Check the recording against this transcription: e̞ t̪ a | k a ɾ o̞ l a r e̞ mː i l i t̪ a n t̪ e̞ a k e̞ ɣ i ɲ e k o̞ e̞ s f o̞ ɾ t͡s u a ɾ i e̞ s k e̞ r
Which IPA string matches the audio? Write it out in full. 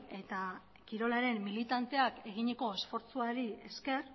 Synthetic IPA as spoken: e̞ t̪ a | k i ɾ o̞ l a ɾ e̞ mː i l i t̪ a n t̪ e̞ a k e̞ ɣ i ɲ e k o̞ e̞ s f o̞ ɾ t͡s u a ɾ i e̞ s k e̞ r